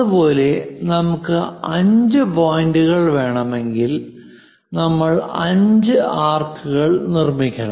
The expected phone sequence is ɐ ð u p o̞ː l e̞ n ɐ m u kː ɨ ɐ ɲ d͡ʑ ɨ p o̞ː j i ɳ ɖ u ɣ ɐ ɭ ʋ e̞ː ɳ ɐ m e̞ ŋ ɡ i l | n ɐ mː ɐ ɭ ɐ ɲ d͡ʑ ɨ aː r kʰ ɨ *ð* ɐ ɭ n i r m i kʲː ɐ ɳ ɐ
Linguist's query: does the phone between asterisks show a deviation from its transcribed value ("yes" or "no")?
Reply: yes